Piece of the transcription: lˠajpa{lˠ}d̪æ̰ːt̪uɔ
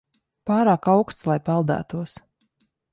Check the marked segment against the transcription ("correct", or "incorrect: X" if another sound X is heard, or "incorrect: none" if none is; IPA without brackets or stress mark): correct